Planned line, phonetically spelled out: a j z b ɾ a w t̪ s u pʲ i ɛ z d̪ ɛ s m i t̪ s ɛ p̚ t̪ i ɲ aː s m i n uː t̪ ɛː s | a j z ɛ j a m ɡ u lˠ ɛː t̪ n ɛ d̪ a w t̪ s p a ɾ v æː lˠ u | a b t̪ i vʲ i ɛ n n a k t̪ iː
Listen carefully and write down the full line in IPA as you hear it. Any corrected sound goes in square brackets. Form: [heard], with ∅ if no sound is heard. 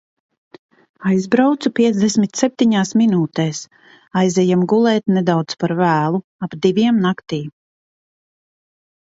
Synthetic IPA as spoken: a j z b ɾ a w t̪ s u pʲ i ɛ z d̪ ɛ s m i t̪ s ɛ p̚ t̪ i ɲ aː s m i n uː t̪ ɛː s | a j z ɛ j a m ɡ u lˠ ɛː t̪ n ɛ d̪ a w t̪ s p a ɾ v æː lˠ u | a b [d̪] i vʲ i ɛ [m] n a k t̪ iː